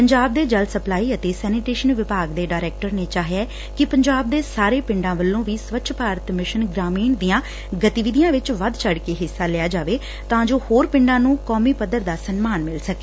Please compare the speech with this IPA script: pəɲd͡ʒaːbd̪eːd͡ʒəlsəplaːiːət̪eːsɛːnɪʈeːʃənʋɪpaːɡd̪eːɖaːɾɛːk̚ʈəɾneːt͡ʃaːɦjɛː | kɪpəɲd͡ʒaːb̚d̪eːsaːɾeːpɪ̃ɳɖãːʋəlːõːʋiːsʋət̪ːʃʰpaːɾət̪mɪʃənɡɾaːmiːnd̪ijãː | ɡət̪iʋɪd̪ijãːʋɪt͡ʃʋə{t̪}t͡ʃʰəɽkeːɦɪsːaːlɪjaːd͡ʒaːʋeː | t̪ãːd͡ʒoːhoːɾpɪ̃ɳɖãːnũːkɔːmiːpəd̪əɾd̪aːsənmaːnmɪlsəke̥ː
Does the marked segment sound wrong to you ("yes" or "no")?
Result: yes